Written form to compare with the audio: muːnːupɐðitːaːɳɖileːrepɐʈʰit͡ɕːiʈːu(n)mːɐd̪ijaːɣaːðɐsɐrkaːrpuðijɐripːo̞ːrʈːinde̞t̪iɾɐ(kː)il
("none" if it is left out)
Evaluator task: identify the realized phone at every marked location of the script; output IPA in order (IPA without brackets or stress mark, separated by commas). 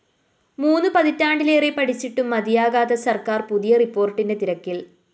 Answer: none, kː